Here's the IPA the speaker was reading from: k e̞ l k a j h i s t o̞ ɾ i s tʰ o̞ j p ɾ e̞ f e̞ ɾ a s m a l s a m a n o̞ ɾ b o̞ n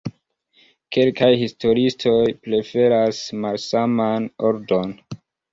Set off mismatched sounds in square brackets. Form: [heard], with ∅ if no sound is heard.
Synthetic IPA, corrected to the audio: k e̞ l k a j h i s t o̞ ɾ i s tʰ o̞ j p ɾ e̞ f e̞ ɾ a s m a l s a m a n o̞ ɾ [d] o̞ n